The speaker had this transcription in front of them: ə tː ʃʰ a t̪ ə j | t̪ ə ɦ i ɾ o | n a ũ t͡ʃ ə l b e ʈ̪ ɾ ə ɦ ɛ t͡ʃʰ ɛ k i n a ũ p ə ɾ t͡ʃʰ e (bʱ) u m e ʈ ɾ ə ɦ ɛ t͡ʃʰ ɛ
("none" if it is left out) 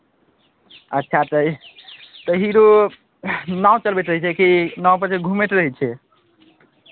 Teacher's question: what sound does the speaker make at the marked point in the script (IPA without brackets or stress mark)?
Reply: ɡʱ